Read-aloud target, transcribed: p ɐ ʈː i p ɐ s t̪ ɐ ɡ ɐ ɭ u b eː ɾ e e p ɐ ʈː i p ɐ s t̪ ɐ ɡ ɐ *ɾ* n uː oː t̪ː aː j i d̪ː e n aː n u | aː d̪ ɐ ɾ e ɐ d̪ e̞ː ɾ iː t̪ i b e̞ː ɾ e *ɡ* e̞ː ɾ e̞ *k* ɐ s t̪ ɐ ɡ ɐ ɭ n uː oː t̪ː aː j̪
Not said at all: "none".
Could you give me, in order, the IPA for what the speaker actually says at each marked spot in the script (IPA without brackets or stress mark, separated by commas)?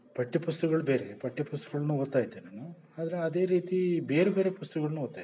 ɭ, b, p